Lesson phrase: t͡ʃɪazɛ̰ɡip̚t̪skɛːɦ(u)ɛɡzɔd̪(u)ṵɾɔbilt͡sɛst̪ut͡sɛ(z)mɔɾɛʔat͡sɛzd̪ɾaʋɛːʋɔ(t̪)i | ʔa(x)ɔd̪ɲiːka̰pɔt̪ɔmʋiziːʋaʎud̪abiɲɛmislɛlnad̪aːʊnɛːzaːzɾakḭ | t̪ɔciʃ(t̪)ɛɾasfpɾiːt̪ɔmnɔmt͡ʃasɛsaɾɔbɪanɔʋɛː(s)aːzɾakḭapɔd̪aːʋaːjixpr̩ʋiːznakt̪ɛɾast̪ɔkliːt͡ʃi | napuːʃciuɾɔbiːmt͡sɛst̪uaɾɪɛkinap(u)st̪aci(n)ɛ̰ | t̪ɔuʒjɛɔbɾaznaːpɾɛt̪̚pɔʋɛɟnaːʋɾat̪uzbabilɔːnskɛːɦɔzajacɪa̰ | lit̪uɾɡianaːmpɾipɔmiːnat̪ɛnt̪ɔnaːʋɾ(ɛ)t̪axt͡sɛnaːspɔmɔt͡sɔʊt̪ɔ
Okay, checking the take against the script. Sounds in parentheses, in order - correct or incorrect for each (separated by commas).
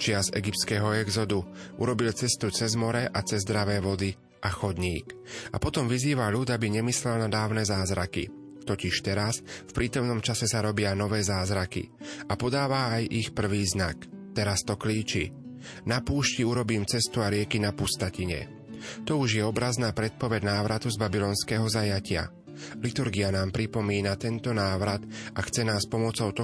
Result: incorrect, correct, correct, incorrect, correct, correct, incorrect, correct, incorrect, incorrect